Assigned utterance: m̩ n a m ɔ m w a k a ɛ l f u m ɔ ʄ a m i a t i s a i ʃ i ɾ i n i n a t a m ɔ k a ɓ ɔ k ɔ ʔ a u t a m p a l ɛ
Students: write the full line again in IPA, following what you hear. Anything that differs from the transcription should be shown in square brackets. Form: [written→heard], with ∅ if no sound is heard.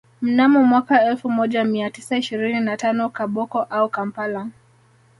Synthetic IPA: m̩ n a m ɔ m w a k a ɛ l f u m ɔ ʄ a m i a t i s a i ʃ i ɾ i n i n a t a [m→n] ɔ k a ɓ ɔ k ɔ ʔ a u [t→k] a m p a l [ɛ→a]

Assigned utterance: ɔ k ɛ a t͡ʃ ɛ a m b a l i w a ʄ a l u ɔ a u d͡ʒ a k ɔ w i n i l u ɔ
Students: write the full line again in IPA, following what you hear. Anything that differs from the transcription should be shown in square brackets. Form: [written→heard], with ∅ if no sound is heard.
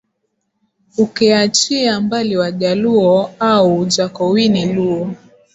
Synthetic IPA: [ɔ→u] k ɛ a t͡ʃ [ɛ→i] a m b a l i w a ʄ a l u ɔ a u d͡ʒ a k ɔ w i n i l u ɔ

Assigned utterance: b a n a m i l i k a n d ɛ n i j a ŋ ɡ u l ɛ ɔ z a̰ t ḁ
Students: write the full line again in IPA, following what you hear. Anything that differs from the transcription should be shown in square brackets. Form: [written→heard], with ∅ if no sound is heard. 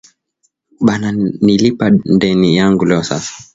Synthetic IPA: [b→ɓ] a n a [m→n] i l i [k→p] a n d ɛ n i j a ŋ ɡ u l ɛ ɔ [z→s] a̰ [t→s] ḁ

